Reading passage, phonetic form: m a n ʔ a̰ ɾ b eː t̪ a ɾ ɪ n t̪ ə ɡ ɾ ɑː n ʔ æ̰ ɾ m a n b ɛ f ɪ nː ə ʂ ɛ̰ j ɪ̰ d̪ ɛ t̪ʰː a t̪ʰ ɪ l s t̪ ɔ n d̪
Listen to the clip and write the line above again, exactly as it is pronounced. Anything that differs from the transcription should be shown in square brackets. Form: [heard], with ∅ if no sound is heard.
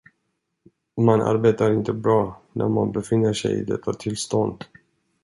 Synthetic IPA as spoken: m a n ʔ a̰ ɾ b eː t̪ a ɾ ɪ n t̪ ə [b] ɾ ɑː n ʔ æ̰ ɾ m a n b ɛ f ɪ nː ə ʂ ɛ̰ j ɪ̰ d̪ ɛ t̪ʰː a t̪ʰ ɪ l s t̪ ɔ n d̪